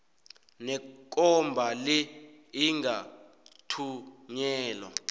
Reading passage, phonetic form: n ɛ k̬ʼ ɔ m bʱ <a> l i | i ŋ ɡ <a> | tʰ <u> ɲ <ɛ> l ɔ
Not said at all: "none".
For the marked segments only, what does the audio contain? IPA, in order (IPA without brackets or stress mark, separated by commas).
a, a, u, ɛː